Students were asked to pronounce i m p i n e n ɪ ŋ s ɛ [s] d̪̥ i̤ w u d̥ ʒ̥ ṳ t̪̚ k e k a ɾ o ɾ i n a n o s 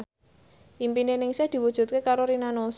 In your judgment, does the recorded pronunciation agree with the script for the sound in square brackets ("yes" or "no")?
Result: no